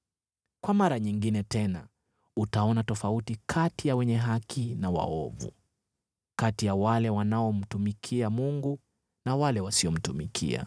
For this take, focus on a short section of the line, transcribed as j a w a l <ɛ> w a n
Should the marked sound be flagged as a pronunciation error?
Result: no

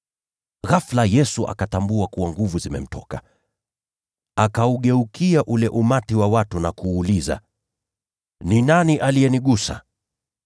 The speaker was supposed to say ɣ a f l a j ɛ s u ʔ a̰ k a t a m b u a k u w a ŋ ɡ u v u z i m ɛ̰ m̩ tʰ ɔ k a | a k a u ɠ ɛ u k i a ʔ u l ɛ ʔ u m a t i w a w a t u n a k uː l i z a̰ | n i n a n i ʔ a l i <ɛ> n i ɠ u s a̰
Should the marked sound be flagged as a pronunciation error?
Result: no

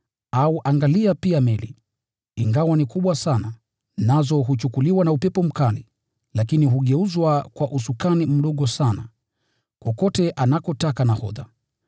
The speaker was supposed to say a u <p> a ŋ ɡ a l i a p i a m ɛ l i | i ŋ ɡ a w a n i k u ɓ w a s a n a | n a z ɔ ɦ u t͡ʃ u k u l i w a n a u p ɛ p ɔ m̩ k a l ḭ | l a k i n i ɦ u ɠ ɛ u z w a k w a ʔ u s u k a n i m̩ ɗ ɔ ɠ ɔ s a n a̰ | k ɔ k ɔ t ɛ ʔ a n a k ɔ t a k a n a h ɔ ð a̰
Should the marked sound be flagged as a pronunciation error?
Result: yes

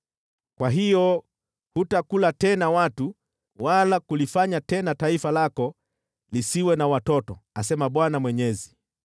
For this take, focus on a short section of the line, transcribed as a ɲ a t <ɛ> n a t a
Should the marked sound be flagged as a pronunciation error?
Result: no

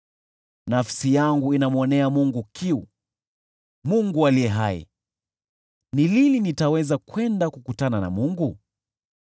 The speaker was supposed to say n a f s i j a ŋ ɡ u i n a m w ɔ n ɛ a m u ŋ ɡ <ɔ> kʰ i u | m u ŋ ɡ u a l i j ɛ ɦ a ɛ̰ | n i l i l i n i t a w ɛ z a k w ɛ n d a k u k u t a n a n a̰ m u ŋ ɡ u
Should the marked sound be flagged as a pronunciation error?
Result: yes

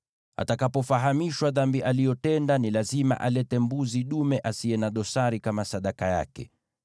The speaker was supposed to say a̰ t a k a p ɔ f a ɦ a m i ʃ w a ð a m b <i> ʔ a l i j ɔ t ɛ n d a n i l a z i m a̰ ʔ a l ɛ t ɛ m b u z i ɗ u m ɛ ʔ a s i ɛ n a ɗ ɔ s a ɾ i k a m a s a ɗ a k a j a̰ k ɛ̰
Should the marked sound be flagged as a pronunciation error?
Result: no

